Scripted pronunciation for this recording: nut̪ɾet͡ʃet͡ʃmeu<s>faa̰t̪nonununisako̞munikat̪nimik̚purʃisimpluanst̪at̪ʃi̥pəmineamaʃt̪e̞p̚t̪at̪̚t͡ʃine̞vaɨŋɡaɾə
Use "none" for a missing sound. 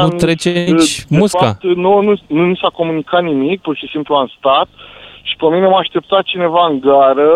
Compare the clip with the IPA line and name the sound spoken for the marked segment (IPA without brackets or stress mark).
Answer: s